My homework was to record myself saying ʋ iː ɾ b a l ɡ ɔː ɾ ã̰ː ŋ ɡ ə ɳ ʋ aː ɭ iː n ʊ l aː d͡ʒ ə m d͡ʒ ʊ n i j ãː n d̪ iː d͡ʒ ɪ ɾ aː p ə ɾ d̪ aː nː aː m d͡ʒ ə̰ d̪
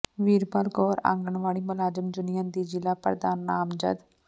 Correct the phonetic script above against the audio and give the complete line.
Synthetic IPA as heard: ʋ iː ɾ b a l ɡ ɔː ɾ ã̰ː ŋ ɡ ə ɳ ʋ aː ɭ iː m ʊ l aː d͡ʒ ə m d͡ʒ ʊ n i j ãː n d̪ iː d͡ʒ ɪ l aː p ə ɾ d̪ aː nː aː m d͡ʒ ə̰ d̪